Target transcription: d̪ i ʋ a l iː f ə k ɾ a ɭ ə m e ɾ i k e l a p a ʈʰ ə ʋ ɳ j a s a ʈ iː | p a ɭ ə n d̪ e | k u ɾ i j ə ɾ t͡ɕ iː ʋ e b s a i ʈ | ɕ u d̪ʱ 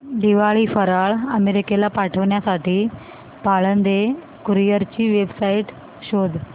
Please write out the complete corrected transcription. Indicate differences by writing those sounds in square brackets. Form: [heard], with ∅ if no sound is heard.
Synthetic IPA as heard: d̪ i ʋ a [ɭ] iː f ə [∅] ɾ a ɭ ə m e ɾ i k e l a p a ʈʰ ə ʋ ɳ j a s a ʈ iː | p a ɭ ə n d̪ e | k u ɾ i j ə ɾ t͡ɕ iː ʋ e b s a i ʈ | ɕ [o] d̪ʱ

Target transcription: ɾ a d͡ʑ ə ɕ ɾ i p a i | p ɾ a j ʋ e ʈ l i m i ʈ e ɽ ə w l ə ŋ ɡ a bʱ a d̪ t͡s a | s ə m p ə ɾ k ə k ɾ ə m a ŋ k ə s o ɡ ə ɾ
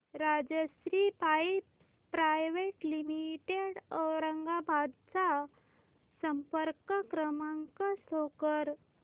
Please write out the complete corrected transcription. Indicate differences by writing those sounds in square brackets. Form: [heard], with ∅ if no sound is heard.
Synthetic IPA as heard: ɾ a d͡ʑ ə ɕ ɾ i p a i | p ɾ a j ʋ e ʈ l i m i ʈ e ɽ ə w [ɾ] ə ŋ ɡ a bʱ a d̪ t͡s a | s ə m p ə ɾ k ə k ɾ ə m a ŋ k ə s o [k] ə ɾ

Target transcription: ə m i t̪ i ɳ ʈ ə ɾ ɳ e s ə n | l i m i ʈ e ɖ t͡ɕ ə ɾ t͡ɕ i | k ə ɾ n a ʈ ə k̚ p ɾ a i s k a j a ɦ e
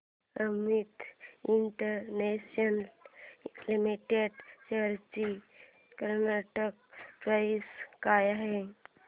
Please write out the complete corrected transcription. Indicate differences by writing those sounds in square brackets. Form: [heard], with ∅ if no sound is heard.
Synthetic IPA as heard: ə m i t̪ i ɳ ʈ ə ɾ [n] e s ə n | l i m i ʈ e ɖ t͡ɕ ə ɾ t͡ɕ i | k ə ɾ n a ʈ ə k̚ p ɾ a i s k a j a ɦ e

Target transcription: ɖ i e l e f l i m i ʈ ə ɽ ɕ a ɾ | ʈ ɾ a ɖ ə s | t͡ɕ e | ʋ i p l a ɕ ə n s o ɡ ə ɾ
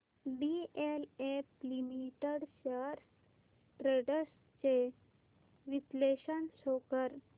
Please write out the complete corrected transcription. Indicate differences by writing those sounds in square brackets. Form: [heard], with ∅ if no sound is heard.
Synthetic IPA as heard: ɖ i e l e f l i m i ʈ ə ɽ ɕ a ɾ | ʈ ɾ [e] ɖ ə s | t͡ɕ e | ʋ i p l [e] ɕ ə n s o [k] ə ɾ

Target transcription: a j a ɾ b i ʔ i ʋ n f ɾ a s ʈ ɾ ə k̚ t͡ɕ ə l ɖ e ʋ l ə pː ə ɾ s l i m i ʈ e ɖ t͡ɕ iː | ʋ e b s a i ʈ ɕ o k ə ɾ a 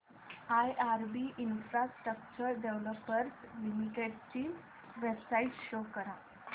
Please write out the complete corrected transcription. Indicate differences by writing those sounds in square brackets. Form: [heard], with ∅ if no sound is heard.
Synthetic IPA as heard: a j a ɾ b i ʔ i [∅] n f ɾ a s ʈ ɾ ə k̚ t͡ɕ ə [ɾ] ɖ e ʋ l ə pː ə ɾ s l i m i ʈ e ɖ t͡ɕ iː | ʋ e b s a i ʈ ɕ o k ə ɾ a

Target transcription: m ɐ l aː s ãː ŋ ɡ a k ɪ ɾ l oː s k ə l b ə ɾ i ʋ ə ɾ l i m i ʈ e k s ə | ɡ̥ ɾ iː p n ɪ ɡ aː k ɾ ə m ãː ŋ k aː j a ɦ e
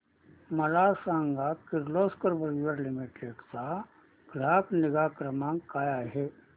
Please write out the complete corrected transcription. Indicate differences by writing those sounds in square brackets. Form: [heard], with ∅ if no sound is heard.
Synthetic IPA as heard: m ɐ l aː s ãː ŋ ɡ a k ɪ ɾ l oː s k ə [ɾ] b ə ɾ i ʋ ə ɾ l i m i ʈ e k s [a] | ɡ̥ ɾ [aː] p n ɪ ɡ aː k ɾ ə m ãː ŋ k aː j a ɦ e

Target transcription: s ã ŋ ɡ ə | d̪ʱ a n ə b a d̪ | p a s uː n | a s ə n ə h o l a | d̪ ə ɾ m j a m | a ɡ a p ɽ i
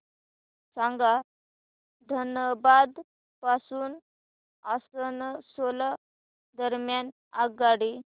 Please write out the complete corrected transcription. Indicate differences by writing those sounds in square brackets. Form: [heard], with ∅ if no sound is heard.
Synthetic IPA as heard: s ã ŋ ɡ [a] | d̪ʱ [ə] n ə b a d̪ | p a s uː n | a s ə n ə [s] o l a | d̪ ə ɾ m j a [n] | a ɡ a [∅] ɽ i

